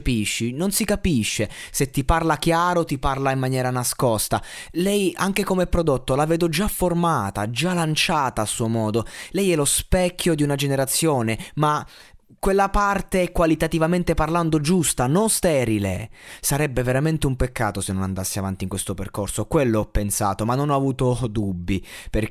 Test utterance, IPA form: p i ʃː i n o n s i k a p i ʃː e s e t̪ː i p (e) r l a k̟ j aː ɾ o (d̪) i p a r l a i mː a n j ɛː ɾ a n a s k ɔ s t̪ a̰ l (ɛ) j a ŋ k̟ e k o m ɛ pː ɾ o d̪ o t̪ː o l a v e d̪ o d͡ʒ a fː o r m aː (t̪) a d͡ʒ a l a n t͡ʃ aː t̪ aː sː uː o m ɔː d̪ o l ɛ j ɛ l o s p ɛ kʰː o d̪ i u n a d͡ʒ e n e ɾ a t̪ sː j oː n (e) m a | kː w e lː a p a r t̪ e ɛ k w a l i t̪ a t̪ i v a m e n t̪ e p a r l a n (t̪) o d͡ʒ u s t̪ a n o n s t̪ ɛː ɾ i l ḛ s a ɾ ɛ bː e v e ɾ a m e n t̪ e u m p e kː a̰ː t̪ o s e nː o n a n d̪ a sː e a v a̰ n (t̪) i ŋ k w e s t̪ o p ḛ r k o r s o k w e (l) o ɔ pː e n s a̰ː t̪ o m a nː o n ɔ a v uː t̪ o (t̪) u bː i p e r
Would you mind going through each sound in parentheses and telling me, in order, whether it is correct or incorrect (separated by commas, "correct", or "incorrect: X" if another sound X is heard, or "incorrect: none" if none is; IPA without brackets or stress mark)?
incorrect: a, incorrect: t̪, correct, correct, correct, incorrect: d̪, correct, incorrect: lː, incorrect: d̪